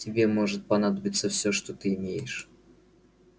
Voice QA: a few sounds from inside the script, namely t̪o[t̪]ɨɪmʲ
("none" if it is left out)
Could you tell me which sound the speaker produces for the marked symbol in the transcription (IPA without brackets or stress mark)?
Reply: t̪